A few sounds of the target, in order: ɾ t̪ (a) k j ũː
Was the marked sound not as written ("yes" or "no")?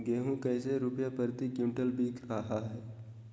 yes